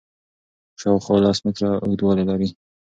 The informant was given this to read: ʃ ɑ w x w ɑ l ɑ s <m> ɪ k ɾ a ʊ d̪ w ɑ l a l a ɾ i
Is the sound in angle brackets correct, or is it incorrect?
correct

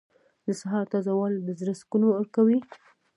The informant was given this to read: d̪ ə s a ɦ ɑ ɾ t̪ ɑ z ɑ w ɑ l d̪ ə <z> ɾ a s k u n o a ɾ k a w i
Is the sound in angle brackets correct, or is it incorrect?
correct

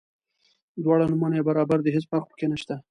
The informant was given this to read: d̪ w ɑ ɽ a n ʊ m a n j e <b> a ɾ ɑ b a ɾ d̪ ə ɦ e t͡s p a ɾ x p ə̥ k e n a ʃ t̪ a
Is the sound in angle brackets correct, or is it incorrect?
correct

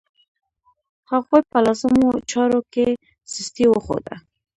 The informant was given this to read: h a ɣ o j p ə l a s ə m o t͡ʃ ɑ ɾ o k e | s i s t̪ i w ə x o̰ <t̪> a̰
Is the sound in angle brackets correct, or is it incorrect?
incorrect: d̪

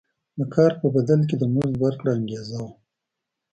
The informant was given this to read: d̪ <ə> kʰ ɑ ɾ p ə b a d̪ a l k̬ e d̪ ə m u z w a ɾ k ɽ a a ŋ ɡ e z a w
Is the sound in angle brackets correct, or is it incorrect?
correct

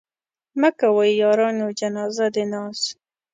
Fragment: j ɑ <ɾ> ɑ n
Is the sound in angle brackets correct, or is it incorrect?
correct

